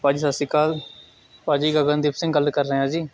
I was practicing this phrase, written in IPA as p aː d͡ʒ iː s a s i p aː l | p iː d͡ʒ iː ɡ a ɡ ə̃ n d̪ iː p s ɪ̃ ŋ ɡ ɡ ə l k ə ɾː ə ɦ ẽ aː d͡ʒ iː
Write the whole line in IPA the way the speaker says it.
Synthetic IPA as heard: p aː d͡ʒ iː s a s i k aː l | p aː d͡ʒ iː ɡ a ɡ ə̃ n d̪ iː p s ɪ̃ ŋ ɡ ɡ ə l k ə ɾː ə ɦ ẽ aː d͡ʒ iː